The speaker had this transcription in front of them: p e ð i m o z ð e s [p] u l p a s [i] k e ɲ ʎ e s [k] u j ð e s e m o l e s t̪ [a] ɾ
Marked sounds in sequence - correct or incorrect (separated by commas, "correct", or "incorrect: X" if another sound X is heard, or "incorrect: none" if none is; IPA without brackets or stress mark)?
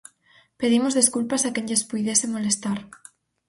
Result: incorrect: k, incorrect: a, incorrect: p, correct